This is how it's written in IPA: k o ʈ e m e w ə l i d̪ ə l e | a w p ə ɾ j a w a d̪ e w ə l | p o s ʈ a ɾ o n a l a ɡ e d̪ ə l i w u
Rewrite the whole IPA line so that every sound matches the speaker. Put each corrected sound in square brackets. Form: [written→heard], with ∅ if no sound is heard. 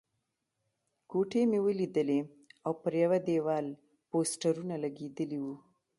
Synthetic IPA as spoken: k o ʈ e m e w ə l i d̪ ə l e | a w p ə ɾ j a w a d̪ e w [ə→ɑ] l | p o s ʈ a ɾ [o→u] n a l a ɡ e d̪ ə l i w u

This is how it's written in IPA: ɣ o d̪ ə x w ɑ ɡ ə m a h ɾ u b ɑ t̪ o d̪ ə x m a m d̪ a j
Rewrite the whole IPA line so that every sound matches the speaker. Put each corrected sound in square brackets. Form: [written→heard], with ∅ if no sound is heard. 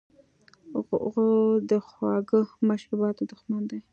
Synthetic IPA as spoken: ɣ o d̪ ə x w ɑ ɡ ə m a [h→ʃ] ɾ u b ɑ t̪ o d̪ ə x m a [m→n] d̪ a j

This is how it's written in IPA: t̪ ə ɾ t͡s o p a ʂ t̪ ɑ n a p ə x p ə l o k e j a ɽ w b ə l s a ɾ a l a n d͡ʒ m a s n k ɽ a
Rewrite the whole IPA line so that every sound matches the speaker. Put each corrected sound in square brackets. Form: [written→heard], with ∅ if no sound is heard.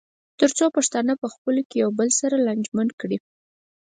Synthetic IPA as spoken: t̪ ə ɾ t͡s o p a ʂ t̪ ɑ n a p ə x p ə l o k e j a [ɽ→∅] w b ə l s a ɾ a l a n d͡ʒ m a [s→∅] n k ɽ [a→i]

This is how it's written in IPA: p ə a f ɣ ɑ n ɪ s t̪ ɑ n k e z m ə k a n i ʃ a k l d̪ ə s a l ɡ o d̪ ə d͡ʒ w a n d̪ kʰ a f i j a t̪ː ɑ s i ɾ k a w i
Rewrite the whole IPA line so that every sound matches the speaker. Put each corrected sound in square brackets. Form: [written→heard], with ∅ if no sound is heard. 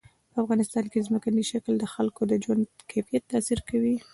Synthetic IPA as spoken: p ə a f ɣ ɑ n ɪ s t̪ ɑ n k e z m ə k a n i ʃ a k l d̪ ə [s→x] a l [ɡ→k] o d̪ ə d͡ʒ w a n d̪ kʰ a f i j a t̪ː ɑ s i ɾ k a w i

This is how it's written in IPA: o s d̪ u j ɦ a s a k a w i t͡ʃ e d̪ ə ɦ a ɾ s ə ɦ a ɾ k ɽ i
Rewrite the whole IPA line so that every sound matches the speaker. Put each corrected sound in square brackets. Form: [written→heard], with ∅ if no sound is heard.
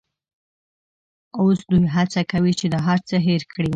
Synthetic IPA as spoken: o s d̪ u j ɦ a [s→t͡s] a k a w i t͡ʃ e d̪ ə ɦ a ɾ [s→t͡s] ə ɦ [a→e] ɾ k ɽ i

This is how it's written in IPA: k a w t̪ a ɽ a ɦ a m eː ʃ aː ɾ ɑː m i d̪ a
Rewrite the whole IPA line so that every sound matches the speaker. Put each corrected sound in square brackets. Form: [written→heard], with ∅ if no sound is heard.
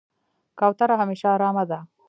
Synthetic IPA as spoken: k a w t̪ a [ɽ→ɾ] a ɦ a m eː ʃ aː ɾ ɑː m [i→a] d̪ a

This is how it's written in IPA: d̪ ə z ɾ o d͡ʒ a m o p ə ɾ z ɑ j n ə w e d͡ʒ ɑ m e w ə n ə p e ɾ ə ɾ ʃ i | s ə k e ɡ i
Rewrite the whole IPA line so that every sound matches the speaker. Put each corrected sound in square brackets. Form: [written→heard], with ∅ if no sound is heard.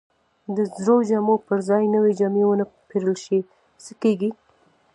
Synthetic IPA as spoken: d̪ ə z ɾ o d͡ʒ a m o p ə ɾ z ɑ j n ə w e d͡ʒ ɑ m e w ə n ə p e ɾ ə [ɾ→l] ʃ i | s ə k e ɡ i

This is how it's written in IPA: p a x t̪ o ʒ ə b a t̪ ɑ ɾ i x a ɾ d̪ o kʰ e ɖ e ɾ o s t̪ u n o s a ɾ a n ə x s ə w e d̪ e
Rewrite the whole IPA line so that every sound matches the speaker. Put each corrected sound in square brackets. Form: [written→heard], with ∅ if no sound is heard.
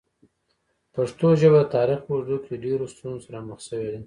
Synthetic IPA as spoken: p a [x→ʂ] t̪ o ʒ ə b a t̪ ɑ ɾ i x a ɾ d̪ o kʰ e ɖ e ɾ o s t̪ u n o s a ɾ a [n→m] ə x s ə w e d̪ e

